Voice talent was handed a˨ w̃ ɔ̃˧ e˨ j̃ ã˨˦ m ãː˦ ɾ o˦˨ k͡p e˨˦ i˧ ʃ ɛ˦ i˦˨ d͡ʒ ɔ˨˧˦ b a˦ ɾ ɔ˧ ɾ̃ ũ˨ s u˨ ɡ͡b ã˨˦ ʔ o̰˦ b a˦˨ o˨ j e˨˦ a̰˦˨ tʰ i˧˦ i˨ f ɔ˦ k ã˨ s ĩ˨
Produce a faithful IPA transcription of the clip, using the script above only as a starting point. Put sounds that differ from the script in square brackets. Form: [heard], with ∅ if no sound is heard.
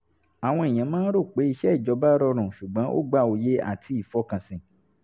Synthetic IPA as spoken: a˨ w̃ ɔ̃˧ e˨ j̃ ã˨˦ m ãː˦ ɾ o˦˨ k͡p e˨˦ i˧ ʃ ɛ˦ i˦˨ d͡ʒ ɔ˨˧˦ b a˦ ɾ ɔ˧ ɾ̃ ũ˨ [ʃ] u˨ ɡ͡b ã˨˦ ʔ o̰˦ [ɡ͡b] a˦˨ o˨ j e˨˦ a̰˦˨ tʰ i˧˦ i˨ f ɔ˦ k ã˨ s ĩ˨